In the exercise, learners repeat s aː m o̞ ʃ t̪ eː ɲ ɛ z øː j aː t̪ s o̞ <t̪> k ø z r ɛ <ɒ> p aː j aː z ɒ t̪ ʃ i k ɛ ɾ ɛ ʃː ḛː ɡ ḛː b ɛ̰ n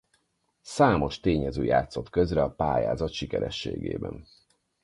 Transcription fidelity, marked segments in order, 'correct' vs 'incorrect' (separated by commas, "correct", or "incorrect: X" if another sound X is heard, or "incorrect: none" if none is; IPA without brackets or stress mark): correct, correct